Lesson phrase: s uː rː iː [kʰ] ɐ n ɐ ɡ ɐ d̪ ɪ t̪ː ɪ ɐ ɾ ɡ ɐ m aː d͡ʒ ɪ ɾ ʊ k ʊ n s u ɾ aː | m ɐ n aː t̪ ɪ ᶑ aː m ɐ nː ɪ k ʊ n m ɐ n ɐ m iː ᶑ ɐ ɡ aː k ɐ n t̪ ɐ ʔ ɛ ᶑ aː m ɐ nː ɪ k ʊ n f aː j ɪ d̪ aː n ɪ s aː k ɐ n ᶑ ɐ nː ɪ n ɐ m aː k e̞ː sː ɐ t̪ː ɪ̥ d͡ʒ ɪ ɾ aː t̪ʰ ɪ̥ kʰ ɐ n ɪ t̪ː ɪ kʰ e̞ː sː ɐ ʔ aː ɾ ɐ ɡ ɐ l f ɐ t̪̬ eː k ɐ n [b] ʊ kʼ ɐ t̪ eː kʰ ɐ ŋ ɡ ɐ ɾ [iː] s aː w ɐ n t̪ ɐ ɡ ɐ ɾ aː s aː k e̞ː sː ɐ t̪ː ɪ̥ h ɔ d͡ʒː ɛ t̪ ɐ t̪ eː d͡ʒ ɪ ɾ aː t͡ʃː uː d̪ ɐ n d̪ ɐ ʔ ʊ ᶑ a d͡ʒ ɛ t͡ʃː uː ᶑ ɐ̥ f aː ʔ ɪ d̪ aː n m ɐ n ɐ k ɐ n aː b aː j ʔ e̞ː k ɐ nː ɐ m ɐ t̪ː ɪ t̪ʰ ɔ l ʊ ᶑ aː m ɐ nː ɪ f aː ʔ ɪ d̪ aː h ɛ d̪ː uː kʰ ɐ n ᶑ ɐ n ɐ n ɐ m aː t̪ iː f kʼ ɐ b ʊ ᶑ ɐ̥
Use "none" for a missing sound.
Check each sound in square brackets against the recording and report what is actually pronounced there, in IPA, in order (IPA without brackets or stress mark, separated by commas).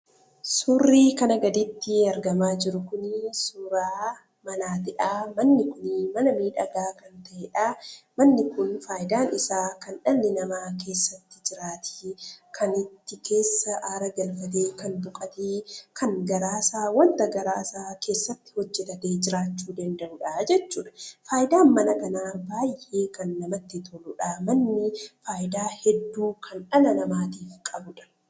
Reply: k, b, aː